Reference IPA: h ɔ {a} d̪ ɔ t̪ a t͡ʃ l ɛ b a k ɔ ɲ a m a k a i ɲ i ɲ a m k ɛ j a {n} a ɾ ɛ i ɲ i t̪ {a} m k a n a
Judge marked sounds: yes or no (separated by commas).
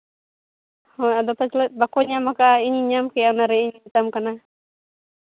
yes, yes, yes